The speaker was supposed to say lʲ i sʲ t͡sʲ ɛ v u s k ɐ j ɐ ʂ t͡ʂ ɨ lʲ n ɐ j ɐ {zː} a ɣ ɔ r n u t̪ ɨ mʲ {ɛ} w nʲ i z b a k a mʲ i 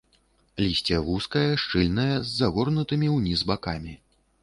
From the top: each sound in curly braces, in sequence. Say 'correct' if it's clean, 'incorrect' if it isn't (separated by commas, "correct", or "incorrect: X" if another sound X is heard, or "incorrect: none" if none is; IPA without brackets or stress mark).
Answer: correct, incorrect: i